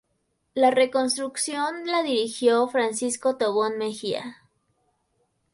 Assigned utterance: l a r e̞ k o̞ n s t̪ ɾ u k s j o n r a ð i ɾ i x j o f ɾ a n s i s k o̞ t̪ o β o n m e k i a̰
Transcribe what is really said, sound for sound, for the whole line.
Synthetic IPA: l a r e̞ k o̞ n s t̪ ɾ u k s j o n l a ð i ɾ i x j o f ɾ a n s i s k o̞ t̪ o β o n m e x i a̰